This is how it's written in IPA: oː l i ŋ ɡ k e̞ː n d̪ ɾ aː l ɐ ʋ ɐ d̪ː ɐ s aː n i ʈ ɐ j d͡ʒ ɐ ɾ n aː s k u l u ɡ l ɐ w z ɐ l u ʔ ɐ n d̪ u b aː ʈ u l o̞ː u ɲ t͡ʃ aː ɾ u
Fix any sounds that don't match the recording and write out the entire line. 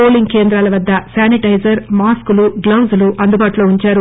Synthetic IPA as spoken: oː l i ŋ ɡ k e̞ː n d̪ ɾ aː l ɐ ʋ ɐ d̪ː ɐ s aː n i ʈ ɐ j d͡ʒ ɐ ɾ m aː s k u l u ɡ l ɐ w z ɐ l u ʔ ɐ n d̪ u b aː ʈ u l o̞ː u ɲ t͡ʃ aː ɾ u